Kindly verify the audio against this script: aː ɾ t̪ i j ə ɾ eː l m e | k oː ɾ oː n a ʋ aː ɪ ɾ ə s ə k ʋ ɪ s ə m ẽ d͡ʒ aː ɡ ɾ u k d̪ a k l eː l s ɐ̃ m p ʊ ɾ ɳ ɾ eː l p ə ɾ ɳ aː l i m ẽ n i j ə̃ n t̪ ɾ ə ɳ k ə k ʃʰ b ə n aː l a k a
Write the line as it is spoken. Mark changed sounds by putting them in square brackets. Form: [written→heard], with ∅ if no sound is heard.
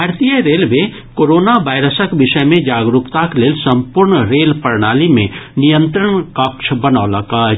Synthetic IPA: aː ɾ t̪ i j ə ɾ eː l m e | k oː ɾ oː n a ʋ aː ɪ ɾ ə s ə k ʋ ɪ [s→ʃ] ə m ẽ d͡ʒ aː ɡ ɾ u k [d̪→t̪] a k l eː l s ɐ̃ m p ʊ ɾ ɳ ɾ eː l p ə ɾ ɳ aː l i m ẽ n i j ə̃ n t̪ ɾ ə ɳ k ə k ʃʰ b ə n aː l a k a